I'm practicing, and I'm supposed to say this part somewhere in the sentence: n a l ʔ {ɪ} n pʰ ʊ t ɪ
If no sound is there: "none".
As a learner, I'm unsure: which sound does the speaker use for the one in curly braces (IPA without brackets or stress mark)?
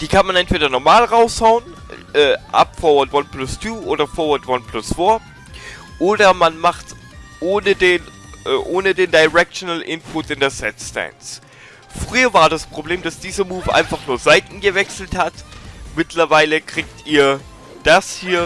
ɪ